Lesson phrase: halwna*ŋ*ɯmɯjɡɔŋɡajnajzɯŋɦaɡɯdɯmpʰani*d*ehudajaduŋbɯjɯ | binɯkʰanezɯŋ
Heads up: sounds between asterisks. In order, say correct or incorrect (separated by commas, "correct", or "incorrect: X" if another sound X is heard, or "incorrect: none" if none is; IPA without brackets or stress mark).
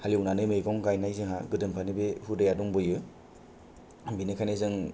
incorrect: n, incorrect: b